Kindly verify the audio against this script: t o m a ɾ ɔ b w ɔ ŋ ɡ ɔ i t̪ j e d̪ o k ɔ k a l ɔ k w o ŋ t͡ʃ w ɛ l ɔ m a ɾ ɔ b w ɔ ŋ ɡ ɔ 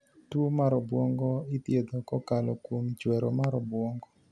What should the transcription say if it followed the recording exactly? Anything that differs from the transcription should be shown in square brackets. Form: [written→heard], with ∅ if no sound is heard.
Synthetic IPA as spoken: t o m a ɾ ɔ b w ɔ ŋ ɡ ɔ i t̪ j e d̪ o k ɔ k a l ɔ k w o [ŋ→m] t͡ʃ w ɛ [l→ɾ] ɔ m a ɾ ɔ b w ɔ ŋ ɡ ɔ